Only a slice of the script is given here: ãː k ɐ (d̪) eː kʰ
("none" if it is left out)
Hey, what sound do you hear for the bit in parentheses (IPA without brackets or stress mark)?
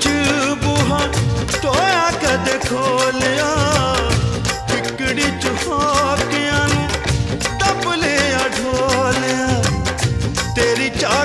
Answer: d̪